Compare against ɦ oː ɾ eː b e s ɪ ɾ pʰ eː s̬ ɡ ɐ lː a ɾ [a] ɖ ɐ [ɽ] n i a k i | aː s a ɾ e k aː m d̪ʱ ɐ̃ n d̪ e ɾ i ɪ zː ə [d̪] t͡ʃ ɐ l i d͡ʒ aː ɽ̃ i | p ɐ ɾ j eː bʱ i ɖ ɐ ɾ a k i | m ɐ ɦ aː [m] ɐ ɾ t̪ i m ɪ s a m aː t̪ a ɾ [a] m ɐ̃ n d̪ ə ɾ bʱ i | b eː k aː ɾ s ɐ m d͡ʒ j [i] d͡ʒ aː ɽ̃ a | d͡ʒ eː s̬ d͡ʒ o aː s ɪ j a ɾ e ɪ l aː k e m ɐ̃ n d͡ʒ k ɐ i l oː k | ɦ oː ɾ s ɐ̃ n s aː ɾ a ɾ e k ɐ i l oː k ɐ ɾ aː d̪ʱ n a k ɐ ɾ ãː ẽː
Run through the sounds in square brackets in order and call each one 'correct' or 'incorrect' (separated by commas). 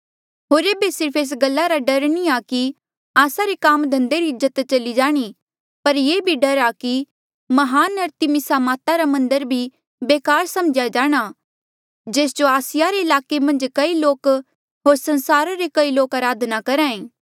correct, incorrect, incorrect, incorrect, correct, incorrect